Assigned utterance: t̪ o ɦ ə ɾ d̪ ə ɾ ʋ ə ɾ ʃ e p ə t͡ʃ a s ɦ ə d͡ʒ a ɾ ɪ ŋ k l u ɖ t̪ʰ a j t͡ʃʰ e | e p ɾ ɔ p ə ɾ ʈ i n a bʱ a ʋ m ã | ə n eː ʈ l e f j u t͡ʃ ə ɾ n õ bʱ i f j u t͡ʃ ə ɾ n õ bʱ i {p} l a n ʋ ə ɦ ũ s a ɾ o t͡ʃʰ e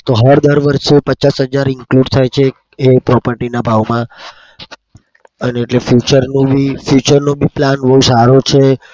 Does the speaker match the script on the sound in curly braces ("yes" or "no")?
yes